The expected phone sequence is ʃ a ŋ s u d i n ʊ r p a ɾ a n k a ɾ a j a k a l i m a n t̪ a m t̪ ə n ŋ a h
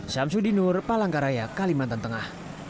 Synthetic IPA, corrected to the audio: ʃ a m s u d i n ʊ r p a l a ŋ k a ɾ a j a k a l i m a n t̪ a n t̪ ə ŋ a h